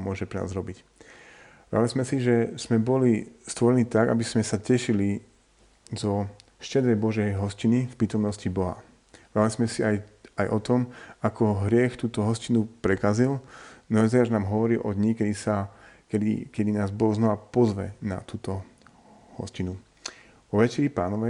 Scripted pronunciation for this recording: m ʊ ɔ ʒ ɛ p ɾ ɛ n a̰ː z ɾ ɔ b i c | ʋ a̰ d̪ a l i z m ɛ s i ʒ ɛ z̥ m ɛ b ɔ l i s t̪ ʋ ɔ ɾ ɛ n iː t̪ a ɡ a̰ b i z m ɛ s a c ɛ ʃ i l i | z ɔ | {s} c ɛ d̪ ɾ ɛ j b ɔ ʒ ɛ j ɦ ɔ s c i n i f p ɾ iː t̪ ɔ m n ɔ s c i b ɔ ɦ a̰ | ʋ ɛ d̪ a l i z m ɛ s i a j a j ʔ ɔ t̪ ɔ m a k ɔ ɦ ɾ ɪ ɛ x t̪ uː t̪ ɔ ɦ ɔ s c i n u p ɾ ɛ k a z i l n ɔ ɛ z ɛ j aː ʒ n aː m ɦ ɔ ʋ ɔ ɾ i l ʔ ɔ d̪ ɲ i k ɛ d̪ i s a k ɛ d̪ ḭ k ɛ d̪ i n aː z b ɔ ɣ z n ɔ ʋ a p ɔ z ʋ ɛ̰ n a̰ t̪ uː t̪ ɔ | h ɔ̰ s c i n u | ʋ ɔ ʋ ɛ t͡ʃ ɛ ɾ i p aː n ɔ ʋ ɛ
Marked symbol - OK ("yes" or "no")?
no